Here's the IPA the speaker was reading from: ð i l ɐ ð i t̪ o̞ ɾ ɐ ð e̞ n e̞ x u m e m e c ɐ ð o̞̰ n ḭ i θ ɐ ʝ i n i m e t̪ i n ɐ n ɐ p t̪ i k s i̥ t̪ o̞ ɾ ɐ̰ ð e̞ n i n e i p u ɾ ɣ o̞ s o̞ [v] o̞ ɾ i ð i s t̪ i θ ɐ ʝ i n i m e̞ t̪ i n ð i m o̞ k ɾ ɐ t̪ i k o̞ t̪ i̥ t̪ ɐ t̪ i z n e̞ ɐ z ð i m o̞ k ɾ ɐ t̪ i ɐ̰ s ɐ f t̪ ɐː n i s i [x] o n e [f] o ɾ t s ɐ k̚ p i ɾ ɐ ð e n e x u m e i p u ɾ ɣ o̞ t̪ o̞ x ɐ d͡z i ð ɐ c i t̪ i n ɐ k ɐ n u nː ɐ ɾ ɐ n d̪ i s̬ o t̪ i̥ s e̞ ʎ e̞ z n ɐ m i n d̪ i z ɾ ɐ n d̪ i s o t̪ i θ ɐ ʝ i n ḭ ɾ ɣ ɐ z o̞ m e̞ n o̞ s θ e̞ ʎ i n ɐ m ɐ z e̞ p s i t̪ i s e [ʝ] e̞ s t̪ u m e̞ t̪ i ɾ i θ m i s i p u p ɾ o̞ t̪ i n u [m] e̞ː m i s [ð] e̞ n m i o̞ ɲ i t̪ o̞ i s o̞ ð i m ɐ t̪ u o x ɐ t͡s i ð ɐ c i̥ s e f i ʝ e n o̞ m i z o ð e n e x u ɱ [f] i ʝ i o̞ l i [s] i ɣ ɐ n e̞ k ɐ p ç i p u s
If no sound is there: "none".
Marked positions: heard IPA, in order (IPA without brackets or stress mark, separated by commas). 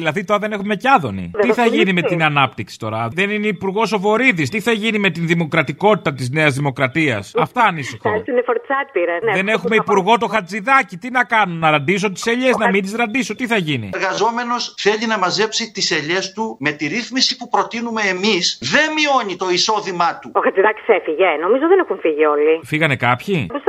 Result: v, x, f, ʎ, m, ð, f, f